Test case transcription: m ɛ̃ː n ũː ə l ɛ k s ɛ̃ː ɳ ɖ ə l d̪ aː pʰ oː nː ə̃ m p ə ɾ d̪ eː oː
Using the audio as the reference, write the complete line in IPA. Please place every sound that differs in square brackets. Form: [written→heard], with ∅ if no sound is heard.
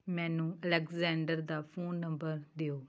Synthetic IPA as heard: m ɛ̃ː n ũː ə l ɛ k [s→z] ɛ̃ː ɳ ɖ ə [l→ɾ] d̪ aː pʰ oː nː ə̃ m [p→b] ə ɾ d̪ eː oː